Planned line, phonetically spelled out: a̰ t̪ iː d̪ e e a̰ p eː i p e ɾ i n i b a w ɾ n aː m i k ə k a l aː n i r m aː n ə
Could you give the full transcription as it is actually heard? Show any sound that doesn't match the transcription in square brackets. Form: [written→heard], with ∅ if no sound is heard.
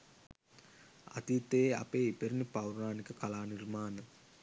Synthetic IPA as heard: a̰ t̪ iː [d̪→t̪] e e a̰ p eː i p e ɾ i n i [b→p] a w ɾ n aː [m→n] i k ə k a l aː n i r m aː n ə